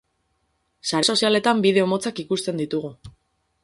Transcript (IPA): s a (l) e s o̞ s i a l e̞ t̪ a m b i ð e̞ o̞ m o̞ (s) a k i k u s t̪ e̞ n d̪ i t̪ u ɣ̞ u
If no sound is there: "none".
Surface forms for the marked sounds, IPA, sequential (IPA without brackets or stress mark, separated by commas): ɾ, t͡s